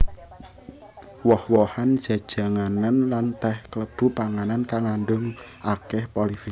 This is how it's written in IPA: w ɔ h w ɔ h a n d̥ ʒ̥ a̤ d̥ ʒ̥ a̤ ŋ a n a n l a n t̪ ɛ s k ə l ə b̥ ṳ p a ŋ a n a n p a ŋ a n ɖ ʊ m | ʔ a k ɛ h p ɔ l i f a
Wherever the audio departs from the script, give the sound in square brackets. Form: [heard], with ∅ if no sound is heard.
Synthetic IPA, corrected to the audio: w ɔ h w ɔ h a n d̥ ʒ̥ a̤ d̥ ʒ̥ a̤ ŋ a n a n l a n t̪ ɛ [h] k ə l ə b̥ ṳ p a ŋ a n a n [k] a ŋ a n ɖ ʊ [ŋ] | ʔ a k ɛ h p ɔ l i f [i]